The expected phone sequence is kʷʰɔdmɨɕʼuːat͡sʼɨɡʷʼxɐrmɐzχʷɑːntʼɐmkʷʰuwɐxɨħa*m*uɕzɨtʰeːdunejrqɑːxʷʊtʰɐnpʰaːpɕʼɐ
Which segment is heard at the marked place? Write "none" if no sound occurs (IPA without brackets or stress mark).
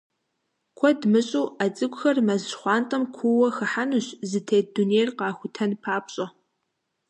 n